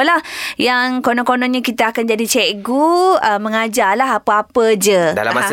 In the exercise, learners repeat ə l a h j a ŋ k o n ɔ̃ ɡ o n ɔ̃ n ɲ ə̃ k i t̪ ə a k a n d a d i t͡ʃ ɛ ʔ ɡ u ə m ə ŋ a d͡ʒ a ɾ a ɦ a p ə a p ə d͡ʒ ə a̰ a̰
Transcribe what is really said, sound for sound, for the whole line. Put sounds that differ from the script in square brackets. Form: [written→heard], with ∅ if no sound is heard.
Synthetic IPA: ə l a h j a ŋ k o n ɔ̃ [ɡ→k] o n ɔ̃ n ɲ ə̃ k i t̪ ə a k a n [d→d͡ʒ] a d i t͡ʃ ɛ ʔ ɡ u ə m ə ŋ a d͡ʒ a [ɾ→l] a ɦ a p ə a p ə d͡ʒ ə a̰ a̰